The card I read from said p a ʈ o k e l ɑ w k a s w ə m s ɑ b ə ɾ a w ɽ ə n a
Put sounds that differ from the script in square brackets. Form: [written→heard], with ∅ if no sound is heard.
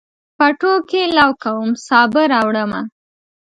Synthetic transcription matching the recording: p a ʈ o k e l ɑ w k a [s→∅] w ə m s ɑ b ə ɾ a w ɽ ə [n→m] a